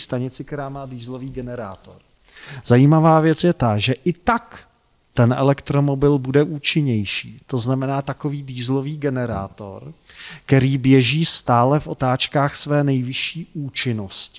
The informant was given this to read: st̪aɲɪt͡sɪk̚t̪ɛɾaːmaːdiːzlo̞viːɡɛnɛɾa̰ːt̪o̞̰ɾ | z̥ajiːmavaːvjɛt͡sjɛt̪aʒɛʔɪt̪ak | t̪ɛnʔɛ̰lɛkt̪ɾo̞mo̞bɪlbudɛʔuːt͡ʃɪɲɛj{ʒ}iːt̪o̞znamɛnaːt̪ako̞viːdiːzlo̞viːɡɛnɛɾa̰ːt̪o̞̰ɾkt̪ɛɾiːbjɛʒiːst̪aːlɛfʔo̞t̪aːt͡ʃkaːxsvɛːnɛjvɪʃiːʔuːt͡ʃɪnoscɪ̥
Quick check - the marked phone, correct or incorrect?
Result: incorrect